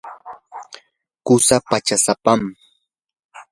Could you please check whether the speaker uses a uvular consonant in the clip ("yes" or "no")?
no